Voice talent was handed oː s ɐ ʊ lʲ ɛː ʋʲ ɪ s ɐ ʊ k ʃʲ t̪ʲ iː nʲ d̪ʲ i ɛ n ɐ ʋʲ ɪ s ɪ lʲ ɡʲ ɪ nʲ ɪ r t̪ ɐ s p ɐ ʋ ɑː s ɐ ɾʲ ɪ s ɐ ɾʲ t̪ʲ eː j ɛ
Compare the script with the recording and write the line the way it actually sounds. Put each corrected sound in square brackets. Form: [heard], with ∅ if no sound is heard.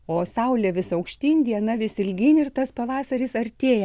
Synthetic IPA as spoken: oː s ɐ ʊ lʲ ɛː ʋʲ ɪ s ɐ ʊ k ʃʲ t̪ʲ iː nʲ d̪ʲ i ɛ n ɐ ʋʲ ɪ s ɪ lʲ ɡʲ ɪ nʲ ɪ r t̪ ɐ s p ɐ ʋ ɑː s ɐ ɾʲ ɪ s ɐ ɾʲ t̪ʲ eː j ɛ

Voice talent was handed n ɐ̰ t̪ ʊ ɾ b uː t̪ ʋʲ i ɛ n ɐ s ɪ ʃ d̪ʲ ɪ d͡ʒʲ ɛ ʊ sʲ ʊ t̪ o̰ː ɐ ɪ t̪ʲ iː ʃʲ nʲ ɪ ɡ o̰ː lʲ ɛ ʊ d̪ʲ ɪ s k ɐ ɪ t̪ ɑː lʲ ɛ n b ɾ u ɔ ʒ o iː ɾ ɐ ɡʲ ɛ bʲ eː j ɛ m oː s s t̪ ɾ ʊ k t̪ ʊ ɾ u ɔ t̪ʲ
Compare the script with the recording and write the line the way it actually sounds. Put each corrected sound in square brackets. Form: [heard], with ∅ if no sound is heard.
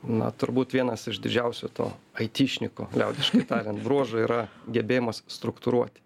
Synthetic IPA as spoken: n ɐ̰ t̪ ʊ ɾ b uː t̪ ʋʲ i ɛ n ɐ s ɪ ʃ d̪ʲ ɪ d͡ʒʲ ɛ ʊ sʲ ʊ t̪ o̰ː ɐ ɪ t̪ʲ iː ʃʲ nʲ ɪ [k] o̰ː lʲ ɛ ʊ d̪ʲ ɪ [ʃ] k ɐ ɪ t̪ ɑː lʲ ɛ n b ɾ u ɔ ʒ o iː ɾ ɐ ɡʲ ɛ bʲ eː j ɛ m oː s s t̪ ɾ ʊ k t̪ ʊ ɾ u ɔ t̪ʲ

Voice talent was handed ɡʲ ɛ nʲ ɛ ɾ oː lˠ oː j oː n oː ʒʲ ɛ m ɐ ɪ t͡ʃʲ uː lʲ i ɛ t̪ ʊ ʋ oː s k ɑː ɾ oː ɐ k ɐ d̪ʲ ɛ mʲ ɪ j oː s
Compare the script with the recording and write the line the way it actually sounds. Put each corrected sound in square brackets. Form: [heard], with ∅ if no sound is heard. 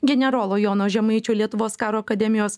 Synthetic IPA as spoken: ɡʲ ɛ nʲ ɛ ɾ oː lˠ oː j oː n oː ʒʲ ɛ m ɐ ɪ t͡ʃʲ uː lʲ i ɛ t̪ ʊ ʋ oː s k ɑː ɾ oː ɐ k ɐ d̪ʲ ɛ mʲ ɪ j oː s

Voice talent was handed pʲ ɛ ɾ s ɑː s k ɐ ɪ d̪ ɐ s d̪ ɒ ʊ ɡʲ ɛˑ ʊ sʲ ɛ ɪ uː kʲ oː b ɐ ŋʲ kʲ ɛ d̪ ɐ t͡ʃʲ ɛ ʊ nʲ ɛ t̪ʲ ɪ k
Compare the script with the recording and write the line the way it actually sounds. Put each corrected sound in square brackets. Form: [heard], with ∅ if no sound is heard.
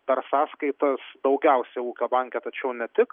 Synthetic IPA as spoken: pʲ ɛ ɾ s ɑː s k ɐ ɪ [t̪] ɐ s d̪ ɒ ʊ ɡʲ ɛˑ ʊ sʲ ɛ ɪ uː kʲ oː b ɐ ŋʲ kʲ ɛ [t̪] ɐ t͡ʃʲ ɛ ʊ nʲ ɛ t̪ʲ ɪ k

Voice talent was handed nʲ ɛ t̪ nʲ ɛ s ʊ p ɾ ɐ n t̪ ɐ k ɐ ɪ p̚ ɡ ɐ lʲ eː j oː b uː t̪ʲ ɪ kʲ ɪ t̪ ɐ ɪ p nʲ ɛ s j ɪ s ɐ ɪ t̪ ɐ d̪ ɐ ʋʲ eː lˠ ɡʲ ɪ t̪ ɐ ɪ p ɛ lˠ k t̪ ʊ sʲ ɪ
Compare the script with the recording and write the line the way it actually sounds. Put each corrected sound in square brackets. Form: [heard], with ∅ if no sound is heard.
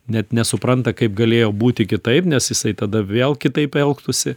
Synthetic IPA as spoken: nʲ ɛ t̪ nʲ ɛ s ʊ p ɾ ɐ n t̪ ɐ k ɐ ɪ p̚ ɡ ɐ lʲ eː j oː b uː t̪ʲ ɪ kʲ ɪ t̪ ɐ ɪ p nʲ ɛ s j ɪ s ɐ ɪ t̪ ɐ d̪ ɐ ʋʲ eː lˠ [kʲ] ɪ t̪ ɐ ɪ p ɛ lˠ k t̪ ʊ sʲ ɪ

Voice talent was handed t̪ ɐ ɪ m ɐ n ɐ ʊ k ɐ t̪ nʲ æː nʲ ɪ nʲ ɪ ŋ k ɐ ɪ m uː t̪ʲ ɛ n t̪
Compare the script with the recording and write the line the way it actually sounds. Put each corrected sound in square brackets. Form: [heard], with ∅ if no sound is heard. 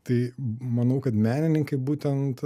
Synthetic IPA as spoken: t̪ ɐ ɪ m ɐ n ɐ ʊ k ɐ t̪ [mʲ] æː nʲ ɪ nʲ ɪ ŋ k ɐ ɪ [b] uː t̪ʲ ɛ n t̪

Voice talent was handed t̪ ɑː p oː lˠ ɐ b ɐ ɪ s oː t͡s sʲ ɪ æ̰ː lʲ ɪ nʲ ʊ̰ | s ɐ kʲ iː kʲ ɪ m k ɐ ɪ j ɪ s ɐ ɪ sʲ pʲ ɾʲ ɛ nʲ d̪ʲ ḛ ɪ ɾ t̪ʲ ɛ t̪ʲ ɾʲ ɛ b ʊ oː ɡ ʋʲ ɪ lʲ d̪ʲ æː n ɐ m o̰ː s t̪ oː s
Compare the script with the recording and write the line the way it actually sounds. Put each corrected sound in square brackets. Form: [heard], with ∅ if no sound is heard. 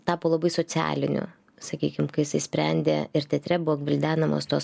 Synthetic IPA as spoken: t̪ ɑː p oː lˠ ɐ b ɐ ɪ s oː t͡s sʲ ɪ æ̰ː lʲ ɪ nʲ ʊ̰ | s ɐ kʲ iː kʲ ɪ m k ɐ ɪ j ɪ s ɐ ɪ sʲ pʲ ɾʲ ɛ nʲ d̪ʲ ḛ ɪ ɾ t̪ʲ ɛ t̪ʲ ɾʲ ɛ b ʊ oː ɡ ʋʲ ɪ lʲ d̪ʲ æː n ɐ m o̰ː s t̪ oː s

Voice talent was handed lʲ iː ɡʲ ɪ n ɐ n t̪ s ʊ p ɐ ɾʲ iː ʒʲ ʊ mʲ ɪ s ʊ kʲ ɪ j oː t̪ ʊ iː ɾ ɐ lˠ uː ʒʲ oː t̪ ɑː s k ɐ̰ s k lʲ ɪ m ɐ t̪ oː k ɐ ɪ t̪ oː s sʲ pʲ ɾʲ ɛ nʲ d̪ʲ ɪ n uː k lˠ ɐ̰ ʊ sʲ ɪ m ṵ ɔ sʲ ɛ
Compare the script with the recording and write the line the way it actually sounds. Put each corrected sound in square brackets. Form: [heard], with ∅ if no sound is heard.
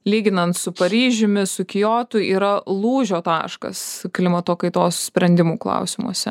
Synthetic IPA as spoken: lʲ iː ɡʲ ɪ n ɐ n t̪ s ʊ p ɐ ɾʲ iː ʒʲ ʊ mʲ ɪ s ʊ kʲ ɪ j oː t̪ ʊ iː ɾ ɐ lˠ uː ʒʲ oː t̪ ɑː [ʃ] k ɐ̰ s k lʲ ɪ m ɐ t̪ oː k ɐ ɪ t̪ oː s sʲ pʲ ɾʲ ɛ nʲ d̪ʲ ɪ [m] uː k lˠ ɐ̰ ʊ sʲ ɪ m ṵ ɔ sʲ ɛ

